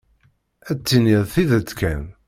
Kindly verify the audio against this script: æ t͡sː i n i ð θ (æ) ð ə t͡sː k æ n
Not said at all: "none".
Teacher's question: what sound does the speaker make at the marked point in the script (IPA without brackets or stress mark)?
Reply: i